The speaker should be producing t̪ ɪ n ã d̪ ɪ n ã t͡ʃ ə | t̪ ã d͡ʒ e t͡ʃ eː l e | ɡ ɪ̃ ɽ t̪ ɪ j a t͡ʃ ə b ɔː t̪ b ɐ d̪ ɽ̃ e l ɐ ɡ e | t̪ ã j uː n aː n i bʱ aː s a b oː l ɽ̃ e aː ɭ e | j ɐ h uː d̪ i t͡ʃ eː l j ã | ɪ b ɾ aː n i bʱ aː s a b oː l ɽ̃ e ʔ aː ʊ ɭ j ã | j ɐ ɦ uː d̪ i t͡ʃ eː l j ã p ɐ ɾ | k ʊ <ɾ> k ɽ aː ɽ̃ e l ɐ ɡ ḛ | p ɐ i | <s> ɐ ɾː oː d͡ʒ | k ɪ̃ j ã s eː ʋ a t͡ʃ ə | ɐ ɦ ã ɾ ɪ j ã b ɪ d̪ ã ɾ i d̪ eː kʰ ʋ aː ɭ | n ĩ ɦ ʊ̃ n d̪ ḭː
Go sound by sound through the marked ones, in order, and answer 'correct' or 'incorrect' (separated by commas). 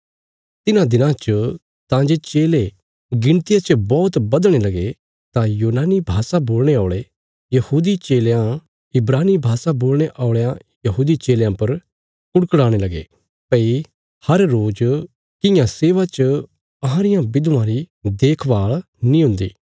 incorrect, incorrect